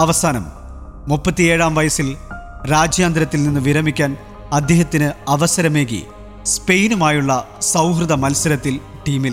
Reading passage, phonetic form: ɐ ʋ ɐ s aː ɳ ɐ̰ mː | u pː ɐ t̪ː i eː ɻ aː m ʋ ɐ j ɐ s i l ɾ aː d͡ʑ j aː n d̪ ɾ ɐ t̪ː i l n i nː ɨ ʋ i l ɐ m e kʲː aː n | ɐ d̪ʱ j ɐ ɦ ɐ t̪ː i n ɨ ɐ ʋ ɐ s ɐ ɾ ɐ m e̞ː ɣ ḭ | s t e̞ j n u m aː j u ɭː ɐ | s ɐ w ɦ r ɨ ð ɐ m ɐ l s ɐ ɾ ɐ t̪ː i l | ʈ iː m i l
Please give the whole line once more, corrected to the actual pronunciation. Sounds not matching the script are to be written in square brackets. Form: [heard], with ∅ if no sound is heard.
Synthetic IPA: ɐ ʋ ɐ s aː [n] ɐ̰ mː | u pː ɐ t̪ː i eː ɻ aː m ʋ ɐ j ɐ s i l ɾ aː d͡ʑ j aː n d̪ ɾ ɐ t̪ː i l n i nː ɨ ʋ i [ɾ] ɐ m [i] kʲː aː n | ɐ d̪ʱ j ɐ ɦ ɐ t̪ː i n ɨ ɐ ʋ ɐ s ɐ ɾ ɐ m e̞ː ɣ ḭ | s [p] e̞ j n u m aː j u ɭː ɐ | s ɐ w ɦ r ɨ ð ɐ m ɐ l s ɐ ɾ ɐ t̪ː i l | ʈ iː m i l